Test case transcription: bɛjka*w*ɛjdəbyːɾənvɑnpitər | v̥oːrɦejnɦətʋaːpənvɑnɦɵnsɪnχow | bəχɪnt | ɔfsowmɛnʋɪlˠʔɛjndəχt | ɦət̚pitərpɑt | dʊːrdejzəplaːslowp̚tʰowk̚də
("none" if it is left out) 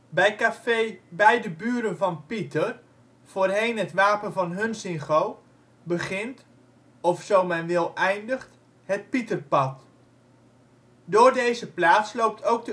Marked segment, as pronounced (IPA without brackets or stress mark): b